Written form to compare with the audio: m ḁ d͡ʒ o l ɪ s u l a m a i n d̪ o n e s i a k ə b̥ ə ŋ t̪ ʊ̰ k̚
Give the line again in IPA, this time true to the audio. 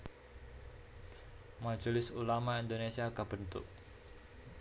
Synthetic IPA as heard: m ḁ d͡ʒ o l ɪ s u l a m a i n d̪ o n e s i a k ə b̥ ə n t̪ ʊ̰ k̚

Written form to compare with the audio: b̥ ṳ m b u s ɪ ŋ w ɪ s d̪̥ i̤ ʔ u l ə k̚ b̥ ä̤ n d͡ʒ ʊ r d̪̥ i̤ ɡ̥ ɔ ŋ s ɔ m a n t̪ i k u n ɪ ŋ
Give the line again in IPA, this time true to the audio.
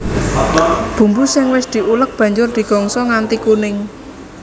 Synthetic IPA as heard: b̥ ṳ m b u s ɪ ŋ w ɪ s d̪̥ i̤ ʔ u l ə k̚ b̥ ä̤ ɲ d͡ʒ ʊ r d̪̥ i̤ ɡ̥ ɔ ŋ s ɔ ŋ a n t̪ i k u n ɪ ŋ

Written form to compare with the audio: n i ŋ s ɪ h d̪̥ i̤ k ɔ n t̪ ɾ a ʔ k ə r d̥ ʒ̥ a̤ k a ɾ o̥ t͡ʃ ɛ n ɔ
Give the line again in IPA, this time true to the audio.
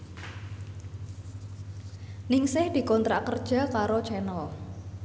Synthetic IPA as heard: n ɪ ŋ s ɪ h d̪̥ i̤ k ɔ n t̪ ɾ a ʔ k ə r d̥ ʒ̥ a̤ k a ɾ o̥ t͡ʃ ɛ n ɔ

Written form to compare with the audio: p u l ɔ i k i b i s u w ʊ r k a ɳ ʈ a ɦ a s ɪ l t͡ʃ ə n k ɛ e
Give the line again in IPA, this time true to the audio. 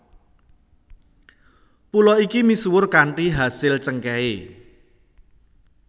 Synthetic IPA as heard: p u l ɔ i k i m i s u w ʊ r k a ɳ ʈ i ɦ a s ɪ l t͡ʃ ə ŋ k ɛ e

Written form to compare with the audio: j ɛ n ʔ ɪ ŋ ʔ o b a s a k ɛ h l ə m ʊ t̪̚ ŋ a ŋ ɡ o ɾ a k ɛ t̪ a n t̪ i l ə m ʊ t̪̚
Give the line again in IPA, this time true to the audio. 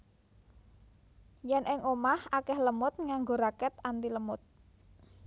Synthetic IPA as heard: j ɛ n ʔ ɪ ŋ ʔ o m a h a k ɛ h l ə m ʊ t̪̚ ŋ a ŋ ɡ o ɾ a k ɛ t̪ a n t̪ i l ə m ʊ t̪̚

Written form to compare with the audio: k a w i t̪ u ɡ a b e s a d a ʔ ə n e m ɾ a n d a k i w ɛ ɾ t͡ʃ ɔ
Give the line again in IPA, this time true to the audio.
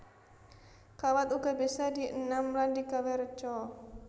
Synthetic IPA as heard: k a w a t̪ u ɡ a b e s a d i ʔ ə n a m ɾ a n d i k a w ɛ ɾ t͡ʃ ɔ

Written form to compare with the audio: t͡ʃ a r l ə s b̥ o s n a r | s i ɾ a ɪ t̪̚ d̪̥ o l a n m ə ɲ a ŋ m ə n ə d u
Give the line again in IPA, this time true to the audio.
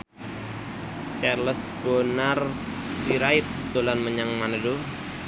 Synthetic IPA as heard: t͡ʃ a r l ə s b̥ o n a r | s i ɾ a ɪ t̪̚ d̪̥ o l a n m ə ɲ a ŋ m a n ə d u

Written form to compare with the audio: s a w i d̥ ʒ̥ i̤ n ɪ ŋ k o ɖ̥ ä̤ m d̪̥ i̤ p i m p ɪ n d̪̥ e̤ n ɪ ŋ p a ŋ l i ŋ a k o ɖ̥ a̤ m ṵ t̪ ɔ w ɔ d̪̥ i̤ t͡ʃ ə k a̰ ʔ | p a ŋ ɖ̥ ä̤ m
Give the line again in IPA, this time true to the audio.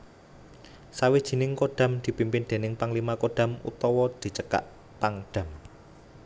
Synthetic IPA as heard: s a w i d̥ ʒ̥ i̤ n ɪ ŋ k o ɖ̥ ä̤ m d̪̥ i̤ p i m p ɪ n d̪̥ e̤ n ɪ ŋ p a ŋ l i m a k o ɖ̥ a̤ m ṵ t̪ ɔ w ɔ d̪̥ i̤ t͡ʃ ə k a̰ ʔ | p a ŋ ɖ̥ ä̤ m

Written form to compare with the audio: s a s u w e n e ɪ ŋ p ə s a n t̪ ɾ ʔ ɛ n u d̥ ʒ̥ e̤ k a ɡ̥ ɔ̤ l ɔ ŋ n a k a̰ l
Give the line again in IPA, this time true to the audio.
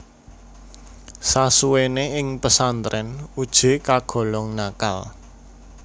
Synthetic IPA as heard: s a s u w e n e ɪ ŋ p ə s a n t̪ ɾ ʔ ɛ n u d̥ ʒ̥ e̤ k a ɡ̥ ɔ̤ l ɔ ŋ n a k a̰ l

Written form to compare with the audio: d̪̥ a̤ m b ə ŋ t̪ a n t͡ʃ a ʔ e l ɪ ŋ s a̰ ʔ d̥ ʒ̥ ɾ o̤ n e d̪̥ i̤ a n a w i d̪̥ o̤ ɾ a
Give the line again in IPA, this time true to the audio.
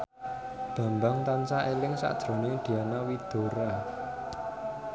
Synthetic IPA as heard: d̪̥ a̤ m b a ŋ t̪ a n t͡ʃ a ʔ e l ɪ ŋ s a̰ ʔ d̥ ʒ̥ ɾ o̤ n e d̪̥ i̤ a n a w i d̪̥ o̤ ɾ a

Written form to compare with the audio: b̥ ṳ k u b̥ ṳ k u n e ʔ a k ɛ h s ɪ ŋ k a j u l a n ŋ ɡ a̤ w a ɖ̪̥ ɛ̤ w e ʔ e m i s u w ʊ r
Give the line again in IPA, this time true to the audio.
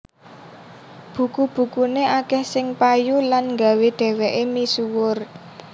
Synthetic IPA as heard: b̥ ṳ k u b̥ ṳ k u n e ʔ a k ɛ h s ɪ ŋ p a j u l a n ŋ ɡ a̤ w e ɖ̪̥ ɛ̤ w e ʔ e m i s u w ʊ r

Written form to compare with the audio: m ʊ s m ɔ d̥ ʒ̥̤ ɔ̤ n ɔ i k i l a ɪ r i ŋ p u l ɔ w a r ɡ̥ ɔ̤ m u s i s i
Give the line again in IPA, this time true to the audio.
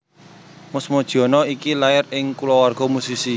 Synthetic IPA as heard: m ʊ s m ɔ d̥ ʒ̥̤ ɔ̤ n ɔ i k i l a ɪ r ɪ ŋ k u l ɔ w a r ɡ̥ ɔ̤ m u s i s i

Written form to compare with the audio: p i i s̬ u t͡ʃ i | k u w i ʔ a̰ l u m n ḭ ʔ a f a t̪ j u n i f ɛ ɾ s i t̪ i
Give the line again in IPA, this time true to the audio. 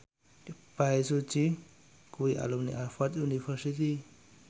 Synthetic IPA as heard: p a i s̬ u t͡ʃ i | k u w i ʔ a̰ l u m n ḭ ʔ a f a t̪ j u n i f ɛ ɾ s i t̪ i

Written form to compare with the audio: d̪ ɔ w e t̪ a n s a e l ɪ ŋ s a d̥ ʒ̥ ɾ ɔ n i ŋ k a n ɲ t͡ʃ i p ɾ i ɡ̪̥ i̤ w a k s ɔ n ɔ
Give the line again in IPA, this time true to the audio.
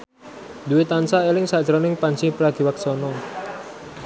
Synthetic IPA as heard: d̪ u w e t̪ a n s a e l ɪ ŋ s a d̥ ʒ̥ ɾ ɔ n ɪ ŋ p a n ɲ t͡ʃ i p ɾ a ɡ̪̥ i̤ w a k s ɔ n ɔ

